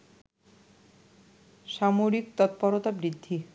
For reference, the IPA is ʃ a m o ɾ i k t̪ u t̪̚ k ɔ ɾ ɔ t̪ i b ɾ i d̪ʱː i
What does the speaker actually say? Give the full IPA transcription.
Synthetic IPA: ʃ a m o ɾ i k t̪ ɔ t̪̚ p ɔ ɾ o t̪ a b ɾ i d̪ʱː i